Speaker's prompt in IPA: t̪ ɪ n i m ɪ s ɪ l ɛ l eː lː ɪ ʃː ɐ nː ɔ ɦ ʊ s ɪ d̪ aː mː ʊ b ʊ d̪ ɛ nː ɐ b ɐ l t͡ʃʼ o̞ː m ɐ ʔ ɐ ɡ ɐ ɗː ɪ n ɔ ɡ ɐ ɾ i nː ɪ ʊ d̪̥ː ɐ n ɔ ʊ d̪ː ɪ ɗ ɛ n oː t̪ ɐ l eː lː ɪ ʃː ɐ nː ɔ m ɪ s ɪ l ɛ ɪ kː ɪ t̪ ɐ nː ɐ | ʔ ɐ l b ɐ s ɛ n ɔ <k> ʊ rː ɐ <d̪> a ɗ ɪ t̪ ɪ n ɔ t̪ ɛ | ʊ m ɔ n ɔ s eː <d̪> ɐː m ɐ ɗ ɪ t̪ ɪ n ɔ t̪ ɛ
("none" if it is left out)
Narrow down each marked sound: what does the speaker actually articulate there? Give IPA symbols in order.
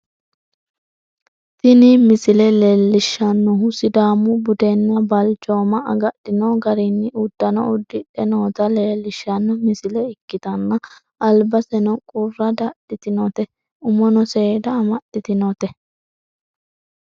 kʼ, d̪, d̪

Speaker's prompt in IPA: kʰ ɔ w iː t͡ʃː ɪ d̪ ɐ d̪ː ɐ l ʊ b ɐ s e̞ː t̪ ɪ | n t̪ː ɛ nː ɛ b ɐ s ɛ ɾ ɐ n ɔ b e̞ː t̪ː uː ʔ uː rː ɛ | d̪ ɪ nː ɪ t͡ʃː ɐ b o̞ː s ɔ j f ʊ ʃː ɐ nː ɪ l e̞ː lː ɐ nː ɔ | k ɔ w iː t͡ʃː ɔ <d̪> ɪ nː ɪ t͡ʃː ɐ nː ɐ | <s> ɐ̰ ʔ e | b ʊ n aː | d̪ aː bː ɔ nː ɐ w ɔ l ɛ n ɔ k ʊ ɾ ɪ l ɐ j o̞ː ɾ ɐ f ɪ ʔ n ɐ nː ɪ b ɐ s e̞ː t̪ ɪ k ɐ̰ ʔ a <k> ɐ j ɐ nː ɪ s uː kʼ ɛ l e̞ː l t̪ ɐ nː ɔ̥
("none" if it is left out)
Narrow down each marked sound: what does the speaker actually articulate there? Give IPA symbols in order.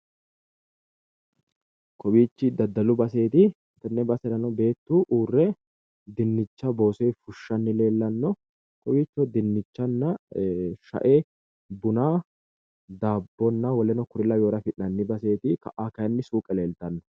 d̪, ʃ, k

